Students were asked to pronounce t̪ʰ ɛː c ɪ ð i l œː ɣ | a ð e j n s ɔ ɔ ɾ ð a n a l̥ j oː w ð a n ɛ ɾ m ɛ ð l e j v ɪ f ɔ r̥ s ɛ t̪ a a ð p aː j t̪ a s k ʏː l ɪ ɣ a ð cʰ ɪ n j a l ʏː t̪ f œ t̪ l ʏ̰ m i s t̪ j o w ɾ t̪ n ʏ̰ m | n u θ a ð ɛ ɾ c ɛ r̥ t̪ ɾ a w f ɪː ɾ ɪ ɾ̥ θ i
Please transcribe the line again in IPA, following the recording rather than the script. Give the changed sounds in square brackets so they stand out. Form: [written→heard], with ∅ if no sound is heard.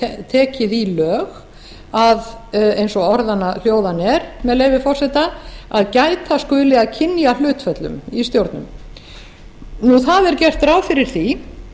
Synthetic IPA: t̪ʰ ɛː c ɪ ð i l œː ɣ | a ð e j n s ɔ ɔ ɾ ð a n a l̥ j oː w ð a n ɛ ɾ m ɛ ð l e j v ɪ f ɔ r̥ s ɛ t̪ a a ð [p→c] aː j t̪ a s k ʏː l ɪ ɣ a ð cʰ ɪ n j a l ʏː t̪ f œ t̪ l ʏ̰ m i s t̪ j o w ɾ t̪ n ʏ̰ m | n u θ a ð ɛ ɾ c ɛ r̥ t̪ ɾ a w f [ɪː→ɪ] ɾ ɪ ɾ̥ θ i

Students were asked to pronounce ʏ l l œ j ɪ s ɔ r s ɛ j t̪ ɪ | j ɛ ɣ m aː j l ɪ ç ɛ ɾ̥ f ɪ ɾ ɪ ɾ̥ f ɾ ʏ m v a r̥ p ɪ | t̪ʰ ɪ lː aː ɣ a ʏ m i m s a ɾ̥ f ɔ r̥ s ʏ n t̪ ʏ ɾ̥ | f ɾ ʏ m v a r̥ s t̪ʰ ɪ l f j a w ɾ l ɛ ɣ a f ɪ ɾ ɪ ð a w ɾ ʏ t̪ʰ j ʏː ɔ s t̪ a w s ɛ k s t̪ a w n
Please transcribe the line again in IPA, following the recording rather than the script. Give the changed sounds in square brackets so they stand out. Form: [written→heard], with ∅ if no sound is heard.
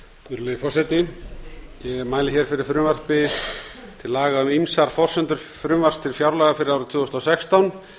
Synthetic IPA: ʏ [l→ɾ] l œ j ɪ [s→f] ɔ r s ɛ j t̪ ɪ | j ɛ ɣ m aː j l ɪ ç ɛ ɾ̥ f ɪ ɾ ɪ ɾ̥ f ɾ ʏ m v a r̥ p ɪ | t̪ʰ ɪ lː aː ɣ a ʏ m i m s a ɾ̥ f ɔ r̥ s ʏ n t̪ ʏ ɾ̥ | f ɾ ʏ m v a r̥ s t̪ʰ ɪ l f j a w ɾ l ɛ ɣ a f ɪ ɾ ɪ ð a w ɾ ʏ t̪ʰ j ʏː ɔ s t̪ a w s ɛ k s t̪ a w n

